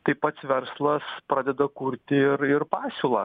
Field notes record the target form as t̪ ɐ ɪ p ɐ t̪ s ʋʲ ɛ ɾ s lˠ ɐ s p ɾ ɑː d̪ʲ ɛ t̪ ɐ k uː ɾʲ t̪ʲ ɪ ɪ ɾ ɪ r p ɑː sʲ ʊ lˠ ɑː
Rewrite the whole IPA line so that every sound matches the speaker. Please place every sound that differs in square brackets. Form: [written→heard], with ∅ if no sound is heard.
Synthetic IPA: t̪ ɐ ɪ p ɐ t̪ s ʋʲ ɛ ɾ s lˠ ɐ s p ɾ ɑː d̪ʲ ɛ [t̪→d̪] ɐ k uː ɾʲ t̪ʲ ɪ ɪ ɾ ɪ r p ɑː sʲ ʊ lˠ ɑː